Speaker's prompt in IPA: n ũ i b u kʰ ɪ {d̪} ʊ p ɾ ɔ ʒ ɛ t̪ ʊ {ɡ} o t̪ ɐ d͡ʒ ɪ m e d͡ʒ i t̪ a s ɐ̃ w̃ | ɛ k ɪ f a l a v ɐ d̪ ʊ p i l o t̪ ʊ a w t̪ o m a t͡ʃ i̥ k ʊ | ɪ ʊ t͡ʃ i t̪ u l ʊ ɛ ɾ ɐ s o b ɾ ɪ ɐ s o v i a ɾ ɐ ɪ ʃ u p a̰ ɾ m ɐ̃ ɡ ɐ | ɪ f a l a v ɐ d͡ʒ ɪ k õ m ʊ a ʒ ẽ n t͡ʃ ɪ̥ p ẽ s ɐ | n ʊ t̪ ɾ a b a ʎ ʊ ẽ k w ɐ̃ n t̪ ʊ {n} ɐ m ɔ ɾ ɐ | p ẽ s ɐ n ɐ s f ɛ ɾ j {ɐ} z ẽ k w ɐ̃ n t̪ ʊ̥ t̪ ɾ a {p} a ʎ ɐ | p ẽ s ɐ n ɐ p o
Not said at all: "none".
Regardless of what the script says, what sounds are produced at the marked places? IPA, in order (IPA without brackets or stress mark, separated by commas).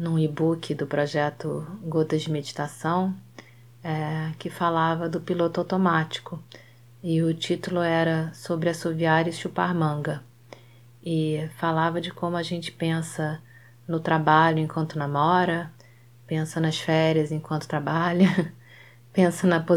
d̪, ɡ, n, ɐ, b